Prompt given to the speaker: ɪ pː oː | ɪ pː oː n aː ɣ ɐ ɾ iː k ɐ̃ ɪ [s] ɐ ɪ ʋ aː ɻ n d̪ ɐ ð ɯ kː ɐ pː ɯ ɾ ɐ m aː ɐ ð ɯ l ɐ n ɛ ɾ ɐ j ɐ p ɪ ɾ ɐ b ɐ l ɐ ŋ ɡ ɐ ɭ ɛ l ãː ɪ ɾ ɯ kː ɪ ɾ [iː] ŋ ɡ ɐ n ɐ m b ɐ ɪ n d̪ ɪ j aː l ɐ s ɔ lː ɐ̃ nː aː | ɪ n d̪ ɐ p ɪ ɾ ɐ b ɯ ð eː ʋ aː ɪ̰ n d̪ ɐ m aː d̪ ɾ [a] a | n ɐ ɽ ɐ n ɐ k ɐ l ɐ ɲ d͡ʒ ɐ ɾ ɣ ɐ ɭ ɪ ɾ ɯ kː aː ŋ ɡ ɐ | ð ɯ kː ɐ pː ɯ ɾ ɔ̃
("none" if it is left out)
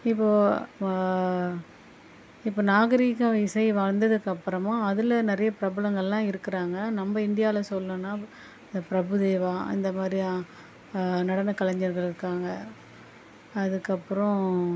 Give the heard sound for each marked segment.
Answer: s, aː, i

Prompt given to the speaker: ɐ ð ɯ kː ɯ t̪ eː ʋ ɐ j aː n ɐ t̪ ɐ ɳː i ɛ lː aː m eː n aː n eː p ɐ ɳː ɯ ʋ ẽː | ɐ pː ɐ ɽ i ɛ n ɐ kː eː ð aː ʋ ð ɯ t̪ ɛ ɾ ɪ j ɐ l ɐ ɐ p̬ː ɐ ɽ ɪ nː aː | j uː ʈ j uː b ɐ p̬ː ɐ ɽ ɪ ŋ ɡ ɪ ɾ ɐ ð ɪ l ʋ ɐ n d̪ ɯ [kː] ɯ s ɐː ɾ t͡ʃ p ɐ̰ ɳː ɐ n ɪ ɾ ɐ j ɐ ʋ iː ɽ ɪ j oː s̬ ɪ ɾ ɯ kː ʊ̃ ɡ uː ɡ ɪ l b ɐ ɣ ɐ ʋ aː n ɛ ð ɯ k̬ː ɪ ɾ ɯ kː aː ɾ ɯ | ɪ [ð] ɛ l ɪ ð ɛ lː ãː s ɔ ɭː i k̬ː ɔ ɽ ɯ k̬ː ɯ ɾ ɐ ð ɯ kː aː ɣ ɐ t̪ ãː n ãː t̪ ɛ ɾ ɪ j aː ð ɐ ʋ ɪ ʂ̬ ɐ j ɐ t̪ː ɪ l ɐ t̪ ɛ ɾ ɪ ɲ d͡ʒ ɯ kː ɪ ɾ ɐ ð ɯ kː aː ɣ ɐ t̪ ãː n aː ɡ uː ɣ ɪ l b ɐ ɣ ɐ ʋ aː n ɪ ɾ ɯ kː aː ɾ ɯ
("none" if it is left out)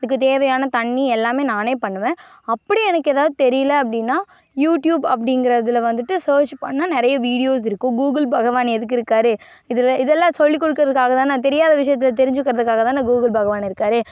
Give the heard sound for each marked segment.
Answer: ʈː, ð

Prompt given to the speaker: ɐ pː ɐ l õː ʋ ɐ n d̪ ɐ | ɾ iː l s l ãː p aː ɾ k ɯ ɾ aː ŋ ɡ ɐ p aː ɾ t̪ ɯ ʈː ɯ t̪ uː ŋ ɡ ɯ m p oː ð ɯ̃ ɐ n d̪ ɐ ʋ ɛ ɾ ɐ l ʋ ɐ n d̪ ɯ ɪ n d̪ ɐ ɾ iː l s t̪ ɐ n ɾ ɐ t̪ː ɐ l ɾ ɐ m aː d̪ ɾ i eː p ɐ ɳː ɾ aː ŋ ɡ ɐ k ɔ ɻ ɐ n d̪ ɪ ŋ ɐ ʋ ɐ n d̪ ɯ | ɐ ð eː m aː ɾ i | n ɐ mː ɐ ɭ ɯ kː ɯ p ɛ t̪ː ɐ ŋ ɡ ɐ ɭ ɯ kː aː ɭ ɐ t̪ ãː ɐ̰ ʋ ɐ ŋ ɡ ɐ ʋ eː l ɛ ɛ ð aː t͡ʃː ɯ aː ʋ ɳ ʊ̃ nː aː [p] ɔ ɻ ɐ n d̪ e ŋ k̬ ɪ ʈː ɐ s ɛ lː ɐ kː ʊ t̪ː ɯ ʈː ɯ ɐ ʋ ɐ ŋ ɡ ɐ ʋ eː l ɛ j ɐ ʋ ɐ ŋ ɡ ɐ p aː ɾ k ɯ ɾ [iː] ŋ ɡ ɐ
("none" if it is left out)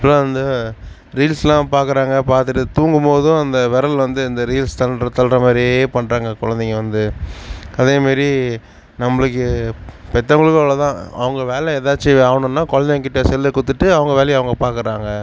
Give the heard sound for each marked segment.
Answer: k, aː

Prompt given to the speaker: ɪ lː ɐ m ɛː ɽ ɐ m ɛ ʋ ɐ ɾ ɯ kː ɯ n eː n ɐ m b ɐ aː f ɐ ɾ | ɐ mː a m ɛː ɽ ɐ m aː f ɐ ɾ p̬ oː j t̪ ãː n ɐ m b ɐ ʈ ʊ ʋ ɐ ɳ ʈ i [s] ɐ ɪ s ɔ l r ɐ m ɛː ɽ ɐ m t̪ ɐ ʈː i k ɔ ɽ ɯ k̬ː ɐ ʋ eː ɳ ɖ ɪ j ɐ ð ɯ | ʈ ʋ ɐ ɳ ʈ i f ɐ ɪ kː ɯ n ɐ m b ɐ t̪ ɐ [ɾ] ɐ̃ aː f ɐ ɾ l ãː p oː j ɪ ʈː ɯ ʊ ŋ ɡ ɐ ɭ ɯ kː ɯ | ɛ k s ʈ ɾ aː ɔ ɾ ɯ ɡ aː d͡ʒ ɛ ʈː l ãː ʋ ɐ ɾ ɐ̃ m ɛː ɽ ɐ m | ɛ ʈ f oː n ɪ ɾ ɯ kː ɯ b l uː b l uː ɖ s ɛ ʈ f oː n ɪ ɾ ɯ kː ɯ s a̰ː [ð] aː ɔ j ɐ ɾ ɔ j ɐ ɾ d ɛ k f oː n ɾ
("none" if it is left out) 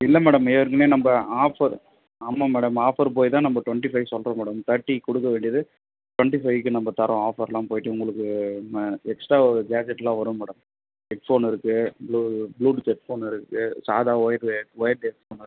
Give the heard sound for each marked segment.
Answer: f, ɾ, ð

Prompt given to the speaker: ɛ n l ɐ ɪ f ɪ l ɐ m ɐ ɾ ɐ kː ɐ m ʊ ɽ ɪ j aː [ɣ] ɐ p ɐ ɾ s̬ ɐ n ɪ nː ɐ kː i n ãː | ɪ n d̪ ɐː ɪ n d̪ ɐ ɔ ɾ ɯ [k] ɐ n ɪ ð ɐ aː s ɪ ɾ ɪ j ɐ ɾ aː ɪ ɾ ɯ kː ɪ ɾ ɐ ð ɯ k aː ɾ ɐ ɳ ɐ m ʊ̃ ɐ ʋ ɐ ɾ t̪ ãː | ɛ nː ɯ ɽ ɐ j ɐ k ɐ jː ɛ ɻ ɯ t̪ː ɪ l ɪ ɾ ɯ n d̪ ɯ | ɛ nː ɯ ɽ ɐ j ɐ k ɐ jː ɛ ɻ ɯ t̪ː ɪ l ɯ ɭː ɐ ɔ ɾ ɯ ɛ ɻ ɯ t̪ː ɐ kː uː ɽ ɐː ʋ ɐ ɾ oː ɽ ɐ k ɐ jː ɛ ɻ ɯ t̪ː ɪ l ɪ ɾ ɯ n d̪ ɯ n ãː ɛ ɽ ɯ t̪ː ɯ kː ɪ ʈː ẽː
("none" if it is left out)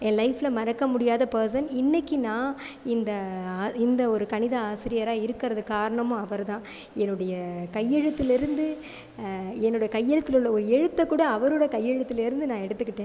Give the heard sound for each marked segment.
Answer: ð, k

